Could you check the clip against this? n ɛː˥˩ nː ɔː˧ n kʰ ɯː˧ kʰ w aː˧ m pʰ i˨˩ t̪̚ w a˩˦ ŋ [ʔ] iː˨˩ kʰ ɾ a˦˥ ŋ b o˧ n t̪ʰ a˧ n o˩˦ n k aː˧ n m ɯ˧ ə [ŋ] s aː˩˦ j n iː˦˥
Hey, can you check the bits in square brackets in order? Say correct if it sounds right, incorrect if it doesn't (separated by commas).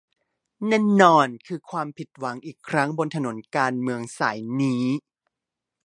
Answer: correct, correct